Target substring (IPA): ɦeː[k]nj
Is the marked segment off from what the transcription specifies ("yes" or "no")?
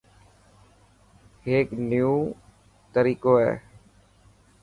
no